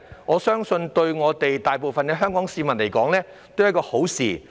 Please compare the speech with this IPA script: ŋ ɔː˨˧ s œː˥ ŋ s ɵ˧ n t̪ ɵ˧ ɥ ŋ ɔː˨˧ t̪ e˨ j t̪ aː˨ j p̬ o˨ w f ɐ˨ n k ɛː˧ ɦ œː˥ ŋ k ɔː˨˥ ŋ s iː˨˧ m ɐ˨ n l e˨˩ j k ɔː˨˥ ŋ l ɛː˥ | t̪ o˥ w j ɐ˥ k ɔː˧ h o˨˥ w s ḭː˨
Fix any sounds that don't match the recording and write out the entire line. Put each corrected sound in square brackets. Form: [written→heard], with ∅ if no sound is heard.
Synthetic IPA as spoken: ŋ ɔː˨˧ s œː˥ ŋ s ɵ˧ n t̪ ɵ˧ ɥ ŋ ɔː˨˧ t̪ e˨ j t̪ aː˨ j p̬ o˨ w f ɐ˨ n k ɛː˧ ɦ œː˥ ŋ k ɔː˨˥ ŋ s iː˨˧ m ɐ˨ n l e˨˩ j k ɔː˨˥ ŋ l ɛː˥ | t̪ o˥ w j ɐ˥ k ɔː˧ h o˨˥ w s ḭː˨